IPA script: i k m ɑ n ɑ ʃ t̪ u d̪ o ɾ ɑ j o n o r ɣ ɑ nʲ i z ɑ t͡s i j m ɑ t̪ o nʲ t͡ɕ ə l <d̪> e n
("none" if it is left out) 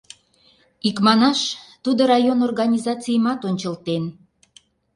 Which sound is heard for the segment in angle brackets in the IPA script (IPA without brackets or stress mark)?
t̪